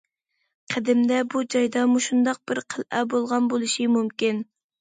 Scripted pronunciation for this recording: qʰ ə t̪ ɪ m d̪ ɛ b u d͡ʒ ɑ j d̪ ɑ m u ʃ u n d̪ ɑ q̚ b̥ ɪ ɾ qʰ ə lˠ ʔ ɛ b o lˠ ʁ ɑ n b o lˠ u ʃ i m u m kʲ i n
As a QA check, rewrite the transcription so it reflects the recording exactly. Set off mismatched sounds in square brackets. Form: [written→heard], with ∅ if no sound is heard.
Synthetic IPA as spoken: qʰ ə [t̪→d̪] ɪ m d̪ ɛ b u d͡ʒ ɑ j d̪ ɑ m u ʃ u n d̪ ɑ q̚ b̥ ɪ ɾ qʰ ə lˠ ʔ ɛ b o lˠ ʁ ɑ n b o lˠ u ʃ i m u m kʲ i n